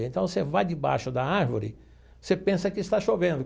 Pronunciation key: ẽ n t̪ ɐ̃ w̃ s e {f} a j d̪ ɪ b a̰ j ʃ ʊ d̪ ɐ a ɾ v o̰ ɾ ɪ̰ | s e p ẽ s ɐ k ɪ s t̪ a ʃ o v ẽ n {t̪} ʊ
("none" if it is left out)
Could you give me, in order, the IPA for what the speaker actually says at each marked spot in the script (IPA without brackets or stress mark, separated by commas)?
v, d̪